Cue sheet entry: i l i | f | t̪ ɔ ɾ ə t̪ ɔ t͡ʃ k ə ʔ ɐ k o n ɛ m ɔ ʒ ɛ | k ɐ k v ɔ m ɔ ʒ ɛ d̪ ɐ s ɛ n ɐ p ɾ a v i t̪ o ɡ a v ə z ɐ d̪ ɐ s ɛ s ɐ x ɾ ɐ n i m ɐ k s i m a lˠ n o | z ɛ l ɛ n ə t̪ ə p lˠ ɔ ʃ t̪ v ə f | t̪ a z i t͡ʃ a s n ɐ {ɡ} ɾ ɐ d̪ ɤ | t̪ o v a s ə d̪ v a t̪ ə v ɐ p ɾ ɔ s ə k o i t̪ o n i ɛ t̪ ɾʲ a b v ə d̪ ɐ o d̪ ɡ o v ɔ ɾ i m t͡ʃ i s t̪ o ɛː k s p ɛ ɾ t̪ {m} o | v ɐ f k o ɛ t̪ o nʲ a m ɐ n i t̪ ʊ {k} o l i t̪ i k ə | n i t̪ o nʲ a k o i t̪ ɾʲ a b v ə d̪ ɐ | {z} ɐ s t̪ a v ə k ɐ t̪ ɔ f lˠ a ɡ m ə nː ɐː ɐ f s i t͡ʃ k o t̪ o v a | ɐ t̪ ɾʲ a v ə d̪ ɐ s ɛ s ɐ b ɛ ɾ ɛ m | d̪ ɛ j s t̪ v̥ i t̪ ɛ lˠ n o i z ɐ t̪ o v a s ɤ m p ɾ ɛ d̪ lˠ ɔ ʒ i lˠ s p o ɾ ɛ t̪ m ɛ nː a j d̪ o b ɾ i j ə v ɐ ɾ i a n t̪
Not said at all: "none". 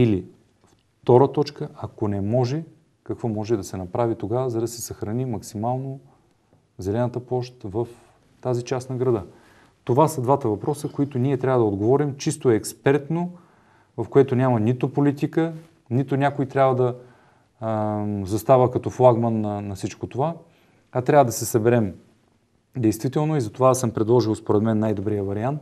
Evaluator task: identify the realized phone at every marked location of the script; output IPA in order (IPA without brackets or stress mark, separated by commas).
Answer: ɡ, n, p, z